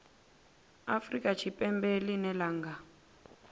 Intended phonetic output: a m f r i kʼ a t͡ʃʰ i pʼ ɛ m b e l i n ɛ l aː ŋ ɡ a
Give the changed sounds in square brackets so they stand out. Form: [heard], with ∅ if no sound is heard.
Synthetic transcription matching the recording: a [∅] f r i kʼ a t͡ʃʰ i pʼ ɛ m b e l i n ɛ l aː ŋ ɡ a